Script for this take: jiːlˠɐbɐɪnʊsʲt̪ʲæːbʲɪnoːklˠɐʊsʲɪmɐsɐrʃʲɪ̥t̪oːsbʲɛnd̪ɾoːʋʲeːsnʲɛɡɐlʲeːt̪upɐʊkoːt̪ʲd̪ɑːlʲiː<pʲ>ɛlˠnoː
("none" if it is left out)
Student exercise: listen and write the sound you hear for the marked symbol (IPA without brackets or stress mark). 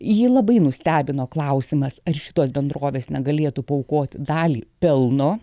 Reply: pʲ